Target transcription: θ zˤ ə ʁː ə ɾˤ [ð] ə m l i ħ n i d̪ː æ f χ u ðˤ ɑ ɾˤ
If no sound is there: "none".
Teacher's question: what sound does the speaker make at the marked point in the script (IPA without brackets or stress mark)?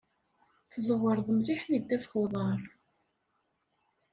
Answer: ð